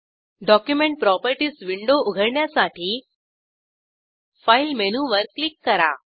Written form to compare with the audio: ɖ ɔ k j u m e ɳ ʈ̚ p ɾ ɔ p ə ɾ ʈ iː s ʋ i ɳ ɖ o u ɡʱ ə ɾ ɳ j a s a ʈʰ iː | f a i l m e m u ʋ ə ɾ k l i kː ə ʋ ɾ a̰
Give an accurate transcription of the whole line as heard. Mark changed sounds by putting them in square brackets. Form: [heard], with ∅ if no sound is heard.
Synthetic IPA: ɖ ɔ k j u m e ɳ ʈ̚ p ɾ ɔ p ə ɾ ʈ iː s ʋ i ɳ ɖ o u ɡʱ ə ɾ ɳ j a s a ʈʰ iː | f a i l m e [n] u ʋ ə ɾ k l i kː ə [∅] ɾ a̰